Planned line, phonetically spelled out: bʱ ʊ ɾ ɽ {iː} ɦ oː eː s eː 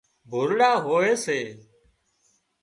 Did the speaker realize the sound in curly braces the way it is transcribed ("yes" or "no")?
no